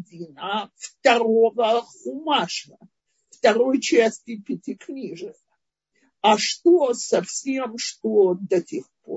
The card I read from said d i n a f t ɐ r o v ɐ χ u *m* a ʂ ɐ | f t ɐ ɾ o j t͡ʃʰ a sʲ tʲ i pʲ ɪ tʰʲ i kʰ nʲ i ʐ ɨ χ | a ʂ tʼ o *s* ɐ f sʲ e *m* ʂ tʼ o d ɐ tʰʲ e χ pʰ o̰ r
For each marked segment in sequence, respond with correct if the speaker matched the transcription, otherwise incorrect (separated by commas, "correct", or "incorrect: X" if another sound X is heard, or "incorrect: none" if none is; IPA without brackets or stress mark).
correct, correct, correct